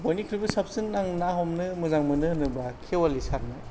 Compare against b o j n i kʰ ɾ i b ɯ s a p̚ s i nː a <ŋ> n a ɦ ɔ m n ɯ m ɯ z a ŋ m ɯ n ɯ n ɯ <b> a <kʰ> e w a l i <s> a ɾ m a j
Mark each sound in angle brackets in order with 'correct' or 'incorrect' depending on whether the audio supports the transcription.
correct, correct, correct, correct

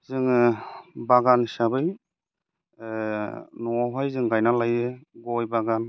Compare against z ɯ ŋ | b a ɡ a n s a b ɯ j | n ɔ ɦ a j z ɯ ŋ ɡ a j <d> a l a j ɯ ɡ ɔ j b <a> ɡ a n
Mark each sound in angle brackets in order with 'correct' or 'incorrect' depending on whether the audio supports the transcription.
incorrect, correct

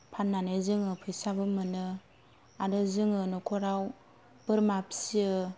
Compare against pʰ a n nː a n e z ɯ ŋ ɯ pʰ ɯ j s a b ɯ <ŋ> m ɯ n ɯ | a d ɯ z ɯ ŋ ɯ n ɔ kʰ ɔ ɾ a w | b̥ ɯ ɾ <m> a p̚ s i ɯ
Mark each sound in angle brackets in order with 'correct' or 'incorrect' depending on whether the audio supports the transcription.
incorrect, correct

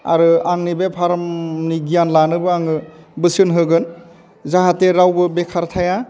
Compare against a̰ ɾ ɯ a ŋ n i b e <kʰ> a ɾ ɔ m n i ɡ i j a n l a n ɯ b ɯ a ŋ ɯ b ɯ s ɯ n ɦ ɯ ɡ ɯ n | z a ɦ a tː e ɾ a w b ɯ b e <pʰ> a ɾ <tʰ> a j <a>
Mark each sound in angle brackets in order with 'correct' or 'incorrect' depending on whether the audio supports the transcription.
incorrect, incorrect, correct, correct

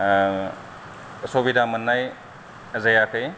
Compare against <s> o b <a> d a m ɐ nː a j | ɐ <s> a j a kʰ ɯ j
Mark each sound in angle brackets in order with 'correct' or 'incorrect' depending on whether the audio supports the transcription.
correct, incorrect, incorrect

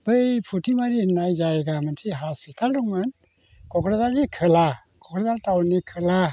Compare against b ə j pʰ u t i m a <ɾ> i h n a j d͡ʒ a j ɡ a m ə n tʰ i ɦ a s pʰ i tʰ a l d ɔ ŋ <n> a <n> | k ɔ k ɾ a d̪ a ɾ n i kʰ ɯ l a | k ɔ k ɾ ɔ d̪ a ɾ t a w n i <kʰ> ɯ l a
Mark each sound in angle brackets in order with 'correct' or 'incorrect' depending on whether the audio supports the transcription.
correct, incorrect, correct, correct

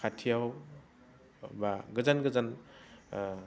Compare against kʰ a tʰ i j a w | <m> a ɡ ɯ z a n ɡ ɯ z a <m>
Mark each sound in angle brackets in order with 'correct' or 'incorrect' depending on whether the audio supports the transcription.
incorrect, incorrect

